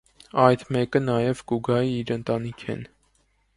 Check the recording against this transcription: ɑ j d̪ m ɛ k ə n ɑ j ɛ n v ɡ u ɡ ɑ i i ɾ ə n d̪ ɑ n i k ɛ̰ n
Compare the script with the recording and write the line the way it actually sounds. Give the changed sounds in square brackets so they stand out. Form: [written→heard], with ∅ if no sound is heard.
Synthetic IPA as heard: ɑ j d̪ m ɛ k ə n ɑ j ɛ [n→∅] v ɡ u ɡ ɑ i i ɾ ə n [d̪→t̪] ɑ n i [k→kʰ] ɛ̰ n